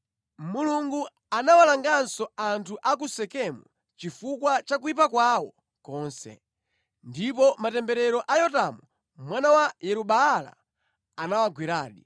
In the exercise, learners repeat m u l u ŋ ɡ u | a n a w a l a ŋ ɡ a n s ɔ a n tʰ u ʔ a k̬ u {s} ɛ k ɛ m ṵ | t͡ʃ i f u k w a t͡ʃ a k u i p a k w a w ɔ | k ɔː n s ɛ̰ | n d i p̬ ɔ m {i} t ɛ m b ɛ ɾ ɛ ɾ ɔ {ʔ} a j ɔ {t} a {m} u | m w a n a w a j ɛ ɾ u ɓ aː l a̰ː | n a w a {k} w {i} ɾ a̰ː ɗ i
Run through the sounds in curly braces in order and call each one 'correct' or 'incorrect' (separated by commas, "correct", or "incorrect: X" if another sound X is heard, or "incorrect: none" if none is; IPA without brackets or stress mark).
correct, incorrect: a, correct, correct, correct, incorrect: ɡ, correct